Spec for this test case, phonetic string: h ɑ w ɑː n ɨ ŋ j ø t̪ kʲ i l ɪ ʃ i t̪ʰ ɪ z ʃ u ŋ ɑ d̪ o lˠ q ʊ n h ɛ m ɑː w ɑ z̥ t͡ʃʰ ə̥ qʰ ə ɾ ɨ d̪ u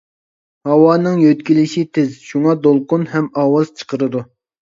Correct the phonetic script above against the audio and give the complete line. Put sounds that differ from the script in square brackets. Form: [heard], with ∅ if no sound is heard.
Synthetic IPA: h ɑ w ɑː n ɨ ŋ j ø t̪ kʲ i l ɪ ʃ i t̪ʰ ɪ z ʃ u ŋ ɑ d̪ o lˠ q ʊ n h ɛ m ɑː w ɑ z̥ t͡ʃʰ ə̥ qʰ ə ɾ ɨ d̪ u